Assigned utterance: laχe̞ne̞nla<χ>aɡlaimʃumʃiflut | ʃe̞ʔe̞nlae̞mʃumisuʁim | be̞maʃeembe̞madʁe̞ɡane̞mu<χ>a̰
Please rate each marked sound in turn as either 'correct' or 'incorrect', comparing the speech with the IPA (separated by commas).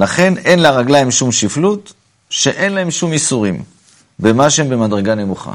incorrect, correct